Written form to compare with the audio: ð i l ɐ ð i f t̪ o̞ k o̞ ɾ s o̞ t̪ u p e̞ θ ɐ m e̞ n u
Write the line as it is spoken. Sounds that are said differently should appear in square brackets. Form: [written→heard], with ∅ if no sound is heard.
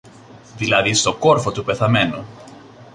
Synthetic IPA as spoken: ð i l ɐ ð i [f→s] t̪ o̞ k o̞ ɾ [s→f] o̞ t̪ u p e̞ θ ɐ m e̞ n u